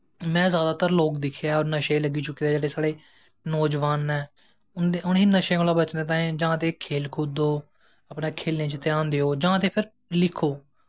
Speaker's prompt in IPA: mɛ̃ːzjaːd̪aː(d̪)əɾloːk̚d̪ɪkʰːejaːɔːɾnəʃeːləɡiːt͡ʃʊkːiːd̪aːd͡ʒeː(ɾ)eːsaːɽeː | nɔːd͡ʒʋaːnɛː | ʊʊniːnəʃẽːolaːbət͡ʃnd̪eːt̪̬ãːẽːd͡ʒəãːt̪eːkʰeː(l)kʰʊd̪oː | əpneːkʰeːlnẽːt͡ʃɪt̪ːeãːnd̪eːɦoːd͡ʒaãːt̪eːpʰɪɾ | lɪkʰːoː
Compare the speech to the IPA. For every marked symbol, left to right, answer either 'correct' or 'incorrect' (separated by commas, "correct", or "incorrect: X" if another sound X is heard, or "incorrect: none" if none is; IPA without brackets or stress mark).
incorrect: t̪, incorrect: ɽ, correct